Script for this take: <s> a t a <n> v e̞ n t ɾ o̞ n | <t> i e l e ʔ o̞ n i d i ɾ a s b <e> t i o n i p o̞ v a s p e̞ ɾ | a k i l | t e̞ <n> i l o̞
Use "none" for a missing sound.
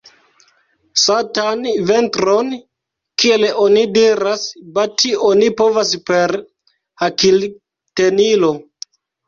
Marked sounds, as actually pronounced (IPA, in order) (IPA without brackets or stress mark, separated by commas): s, n, k, a, n